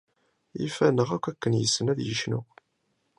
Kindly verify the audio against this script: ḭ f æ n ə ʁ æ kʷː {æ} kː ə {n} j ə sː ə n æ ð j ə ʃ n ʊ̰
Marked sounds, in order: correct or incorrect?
correct, correct

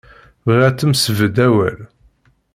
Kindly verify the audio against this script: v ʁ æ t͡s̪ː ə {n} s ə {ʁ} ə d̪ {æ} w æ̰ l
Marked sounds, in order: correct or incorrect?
incorrect: m, incorrect: v, correct

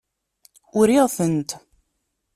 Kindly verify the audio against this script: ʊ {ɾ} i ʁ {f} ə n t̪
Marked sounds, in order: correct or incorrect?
correct, incorrect: θ

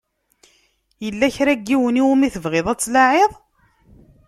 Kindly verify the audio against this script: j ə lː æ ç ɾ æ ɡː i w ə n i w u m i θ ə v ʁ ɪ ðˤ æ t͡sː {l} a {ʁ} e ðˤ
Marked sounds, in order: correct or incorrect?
correct, incorrect: ʕ

